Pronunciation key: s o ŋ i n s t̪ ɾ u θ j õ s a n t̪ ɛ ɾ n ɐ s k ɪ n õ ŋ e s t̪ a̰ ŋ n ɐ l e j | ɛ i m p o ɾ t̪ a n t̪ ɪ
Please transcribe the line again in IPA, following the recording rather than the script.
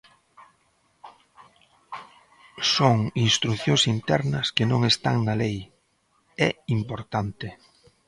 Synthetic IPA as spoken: s o ŋ i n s t̪ ɾ u θ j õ s i n t̪ ɛ ɾ n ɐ s k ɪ n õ ŋ e s t̪ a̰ ŋ n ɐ l e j | ɛ i m p o ɾ t̪ a n t̪ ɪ